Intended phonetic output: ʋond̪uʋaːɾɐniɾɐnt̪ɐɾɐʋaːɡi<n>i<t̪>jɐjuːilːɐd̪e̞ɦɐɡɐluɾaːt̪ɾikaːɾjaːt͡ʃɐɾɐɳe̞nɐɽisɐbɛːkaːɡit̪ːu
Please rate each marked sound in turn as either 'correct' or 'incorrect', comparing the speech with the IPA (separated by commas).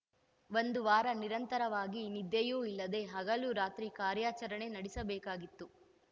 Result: correct, incorrect